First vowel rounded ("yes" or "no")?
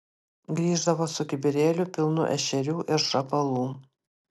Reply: no